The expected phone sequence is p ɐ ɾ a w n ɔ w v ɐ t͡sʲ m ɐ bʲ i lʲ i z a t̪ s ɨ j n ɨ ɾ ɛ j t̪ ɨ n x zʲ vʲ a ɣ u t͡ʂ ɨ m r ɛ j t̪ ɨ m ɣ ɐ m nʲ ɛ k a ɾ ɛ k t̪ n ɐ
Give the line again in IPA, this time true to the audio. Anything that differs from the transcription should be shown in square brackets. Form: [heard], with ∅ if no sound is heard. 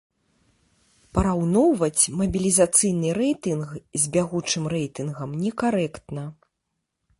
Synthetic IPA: p ɐ ɾ a w n ɔ w v ɐ t͡sʲ m ɐ bʲ i lʲ i z a t̪ s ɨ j n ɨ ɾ ɛ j t̪ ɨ n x zʲ [bʲ] a ɣ u t͡ʂ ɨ m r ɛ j t̪ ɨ [n] ɣ ɐ m nʲ ɛ k a ɾ ɛ k t̪ n ɐ